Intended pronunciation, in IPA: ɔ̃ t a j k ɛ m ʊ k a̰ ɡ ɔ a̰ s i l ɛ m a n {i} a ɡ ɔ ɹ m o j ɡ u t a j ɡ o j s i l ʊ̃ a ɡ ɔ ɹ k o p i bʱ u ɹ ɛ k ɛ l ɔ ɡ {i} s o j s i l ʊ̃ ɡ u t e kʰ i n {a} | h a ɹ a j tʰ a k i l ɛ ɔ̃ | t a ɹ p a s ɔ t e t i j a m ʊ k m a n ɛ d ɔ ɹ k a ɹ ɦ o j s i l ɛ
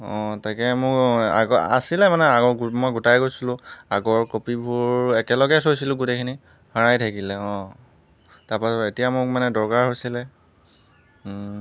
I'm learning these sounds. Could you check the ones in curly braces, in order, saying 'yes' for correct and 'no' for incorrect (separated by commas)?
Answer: no, no, no